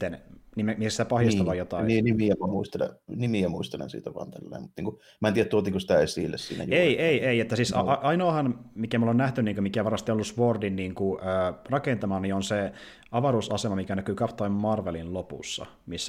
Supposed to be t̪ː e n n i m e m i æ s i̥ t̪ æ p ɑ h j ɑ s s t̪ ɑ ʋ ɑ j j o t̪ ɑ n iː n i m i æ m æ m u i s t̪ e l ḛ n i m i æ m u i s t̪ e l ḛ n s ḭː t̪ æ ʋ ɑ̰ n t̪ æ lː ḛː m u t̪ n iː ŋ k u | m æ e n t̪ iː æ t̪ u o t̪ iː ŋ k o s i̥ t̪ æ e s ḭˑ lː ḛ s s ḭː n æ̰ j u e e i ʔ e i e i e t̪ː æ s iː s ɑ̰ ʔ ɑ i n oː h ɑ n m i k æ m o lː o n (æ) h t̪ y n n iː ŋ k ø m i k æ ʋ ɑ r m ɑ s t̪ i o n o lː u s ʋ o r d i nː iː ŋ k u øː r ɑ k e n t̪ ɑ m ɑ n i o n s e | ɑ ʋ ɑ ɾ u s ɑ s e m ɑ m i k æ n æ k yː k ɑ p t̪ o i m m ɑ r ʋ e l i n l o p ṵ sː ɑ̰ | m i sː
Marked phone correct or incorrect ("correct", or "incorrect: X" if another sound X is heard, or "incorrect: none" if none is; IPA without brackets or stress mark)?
correct